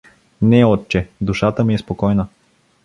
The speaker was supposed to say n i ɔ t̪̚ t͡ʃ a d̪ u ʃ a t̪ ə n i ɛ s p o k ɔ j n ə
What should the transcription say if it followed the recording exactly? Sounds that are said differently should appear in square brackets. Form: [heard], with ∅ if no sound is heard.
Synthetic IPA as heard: n [ɛ] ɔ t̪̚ t͡ʃ [ɛ] d̪ u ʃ a t̪ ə [m] i ɛ s p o k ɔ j n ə